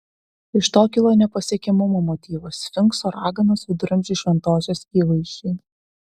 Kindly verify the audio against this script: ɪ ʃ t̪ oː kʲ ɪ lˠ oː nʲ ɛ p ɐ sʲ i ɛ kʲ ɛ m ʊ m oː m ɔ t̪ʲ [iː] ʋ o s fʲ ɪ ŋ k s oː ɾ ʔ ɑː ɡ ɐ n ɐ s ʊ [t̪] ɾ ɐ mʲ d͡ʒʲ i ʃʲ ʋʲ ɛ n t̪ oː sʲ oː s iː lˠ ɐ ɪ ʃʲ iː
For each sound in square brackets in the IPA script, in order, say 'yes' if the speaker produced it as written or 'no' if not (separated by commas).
yes, no